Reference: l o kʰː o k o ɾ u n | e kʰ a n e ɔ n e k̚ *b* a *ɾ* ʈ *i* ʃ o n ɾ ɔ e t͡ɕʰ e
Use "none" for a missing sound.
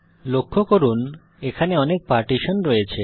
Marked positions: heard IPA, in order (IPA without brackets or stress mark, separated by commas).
p, ɾ, i